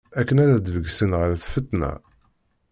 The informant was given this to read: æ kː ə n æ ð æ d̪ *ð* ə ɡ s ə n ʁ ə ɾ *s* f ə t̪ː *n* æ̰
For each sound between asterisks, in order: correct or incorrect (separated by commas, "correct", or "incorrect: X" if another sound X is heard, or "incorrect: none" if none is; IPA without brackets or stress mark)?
incorrect: v, incorrect: θ, correct